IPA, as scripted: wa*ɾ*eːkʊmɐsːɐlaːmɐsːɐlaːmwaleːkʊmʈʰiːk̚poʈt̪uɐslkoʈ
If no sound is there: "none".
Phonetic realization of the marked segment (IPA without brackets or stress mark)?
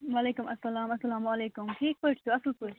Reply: l